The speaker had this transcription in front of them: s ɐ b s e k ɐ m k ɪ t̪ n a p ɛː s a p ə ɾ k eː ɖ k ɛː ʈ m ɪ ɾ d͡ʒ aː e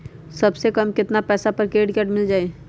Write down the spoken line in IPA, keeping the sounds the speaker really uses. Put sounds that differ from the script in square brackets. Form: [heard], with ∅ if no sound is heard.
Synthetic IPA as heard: s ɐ b s e k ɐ m k ɪ t̪ n a p ɛː s a p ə ɾ k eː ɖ k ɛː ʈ m ɪ [l] d͡ʒ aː e